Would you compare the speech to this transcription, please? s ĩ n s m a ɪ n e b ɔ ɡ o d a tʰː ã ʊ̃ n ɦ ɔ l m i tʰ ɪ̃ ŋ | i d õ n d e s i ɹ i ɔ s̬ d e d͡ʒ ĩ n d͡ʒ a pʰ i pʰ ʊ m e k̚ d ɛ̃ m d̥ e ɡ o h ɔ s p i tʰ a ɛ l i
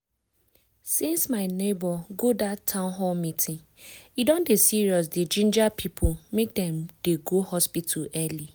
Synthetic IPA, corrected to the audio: s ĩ n s m a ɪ n e b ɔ ɡ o d a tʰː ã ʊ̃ n ɦ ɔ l m i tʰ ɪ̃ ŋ | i d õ n d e s i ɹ i ɔ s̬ d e d͡ʒ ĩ n d͡ʒ a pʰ i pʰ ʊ m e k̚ d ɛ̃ m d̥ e ɡ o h ɔ s p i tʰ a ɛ l i